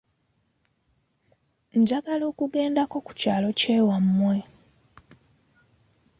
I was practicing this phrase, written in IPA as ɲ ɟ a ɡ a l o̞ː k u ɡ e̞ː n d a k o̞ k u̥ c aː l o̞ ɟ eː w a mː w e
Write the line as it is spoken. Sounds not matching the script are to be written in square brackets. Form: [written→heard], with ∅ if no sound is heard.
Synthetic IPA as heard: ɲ ɟ a ɡ a l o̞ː k u ɡ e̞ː n d a k o̞ k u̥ c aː l o̞ [ɟ→c] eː w a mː w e